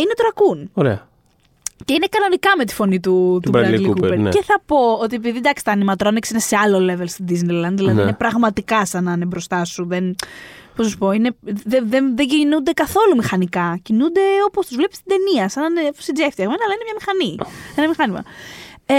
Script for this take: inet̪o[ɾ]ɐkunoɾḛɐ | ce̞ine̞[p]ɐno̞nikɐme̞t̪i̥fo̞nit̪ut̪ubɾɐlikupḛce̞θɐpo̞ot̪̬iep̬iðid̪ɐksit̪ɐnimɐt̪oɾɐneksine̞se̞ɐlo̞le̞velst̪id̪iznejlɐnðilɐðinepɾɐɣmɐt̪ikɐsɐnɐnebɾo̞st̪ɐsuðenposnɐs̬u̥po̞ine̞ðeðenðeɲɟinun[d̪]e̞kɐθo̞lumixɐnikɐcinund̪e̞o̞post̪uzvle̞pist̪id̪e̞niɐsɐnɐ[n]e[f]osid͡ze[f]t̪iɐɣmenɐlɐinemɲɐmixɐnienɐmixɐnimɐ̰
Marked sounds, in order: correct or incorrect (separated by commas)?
correct, incorrect, correct, correct, correct, correct